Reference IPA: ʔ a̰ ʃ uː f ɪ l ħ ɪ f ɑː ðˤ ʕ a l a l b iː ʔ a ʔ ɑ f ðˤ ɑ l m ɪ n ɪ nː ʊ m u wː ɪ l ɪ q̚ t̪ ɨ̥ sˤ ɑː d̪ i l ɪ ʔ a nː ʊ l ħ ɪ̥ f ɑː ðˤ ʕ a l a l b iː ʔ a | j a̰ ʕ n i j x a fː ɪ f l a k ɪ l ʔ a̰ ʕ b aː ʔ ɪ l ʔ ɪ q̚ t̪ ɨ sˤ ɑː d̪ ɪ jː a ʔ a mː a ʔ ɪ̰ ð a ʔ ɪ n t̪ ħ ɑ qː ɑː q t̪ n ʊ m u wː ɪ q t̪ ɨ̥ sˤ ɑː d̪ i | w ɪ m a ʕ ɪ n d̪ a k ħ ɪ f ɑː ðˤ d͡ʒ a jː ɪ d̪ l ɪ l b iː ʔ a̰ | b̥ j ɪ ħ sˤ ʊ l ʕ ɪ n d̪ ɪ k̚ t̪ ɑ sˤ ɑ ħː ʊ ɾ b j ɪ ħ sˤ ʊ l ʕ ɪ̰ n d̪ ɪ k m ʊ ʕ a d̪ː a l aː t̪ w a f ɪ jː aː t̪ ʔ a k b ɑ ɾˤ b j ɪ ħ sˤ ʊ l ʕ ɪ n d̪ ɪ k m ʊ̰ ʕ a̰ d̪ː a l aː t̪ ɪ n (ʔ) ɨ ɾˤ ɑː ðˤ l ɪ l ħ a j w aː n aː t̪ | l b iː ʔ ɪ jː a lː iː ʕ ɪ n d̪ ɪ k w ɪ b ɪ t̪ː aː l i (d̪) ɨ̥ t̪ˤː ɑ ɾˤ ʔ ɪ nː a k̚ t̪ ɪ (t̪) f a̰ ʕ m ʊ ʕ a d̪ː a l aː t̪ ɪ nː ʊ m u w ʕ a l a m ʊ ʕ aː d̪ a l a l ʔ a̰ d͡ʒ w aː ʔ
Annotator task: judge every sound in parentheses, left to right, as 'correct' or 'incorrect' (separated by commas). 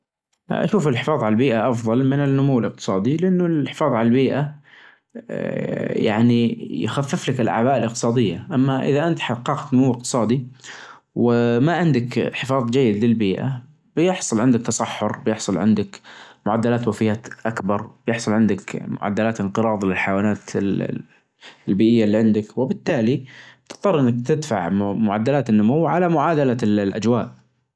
incorrect, incorrect, incorrect